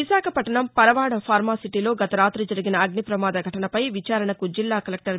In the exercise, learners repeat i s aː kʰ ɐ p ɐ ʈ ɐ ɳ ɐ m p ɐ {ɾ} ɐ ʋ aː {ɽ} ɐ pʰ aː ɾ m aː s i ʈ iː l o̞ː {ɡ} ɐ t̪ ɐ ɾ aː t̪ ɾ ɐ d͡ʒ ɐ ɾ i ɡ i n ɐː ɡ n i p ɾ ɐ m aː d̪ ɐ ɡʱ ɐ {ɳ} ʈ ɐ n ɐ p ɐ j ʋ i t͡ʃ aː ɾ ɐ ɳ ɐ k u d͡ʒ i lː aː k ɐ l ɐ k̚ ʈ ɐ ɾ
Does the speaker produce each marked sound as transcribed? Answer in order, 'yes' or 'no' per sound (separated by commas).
yes, yes, yes, no